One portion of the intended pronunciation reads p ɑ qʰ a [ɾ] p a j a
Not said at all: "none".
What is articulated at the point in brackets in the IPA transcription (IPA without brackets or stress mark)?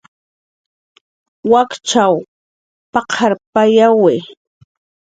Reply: ɾ